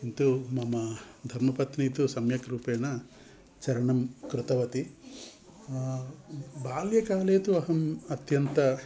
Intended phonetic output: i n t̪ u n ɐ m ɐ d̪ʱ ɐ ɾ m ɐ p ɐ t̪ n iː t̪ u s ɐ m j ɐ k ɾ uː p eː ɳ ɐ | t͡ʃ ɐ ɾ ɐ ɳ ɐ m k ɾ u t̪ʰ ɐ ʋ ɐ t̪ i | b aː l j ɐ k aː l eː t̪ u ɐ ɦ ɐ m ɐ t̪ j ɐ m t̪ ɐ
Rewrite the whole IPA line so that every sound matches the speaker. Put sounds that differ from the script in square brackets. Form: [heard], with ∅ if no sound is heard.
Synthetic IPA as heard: i n t̪ u [m] ɐ m ɐ d̪ʱ ɐ ɾ m ɐ p ɐ t̪ n iː t̪ u s ɐ m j ɐ k ɾ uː p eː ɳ ɐ | t͡ʃ ɐ ɾ ɐ ɳ ɐ m k ɾ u [t̪] ɐ ʋ ɐ t̪ i | b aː l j ɐ k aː l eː t̪ u ɐ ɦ ɐ m ɐ t̪ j ɐ [n] t̪ ɐ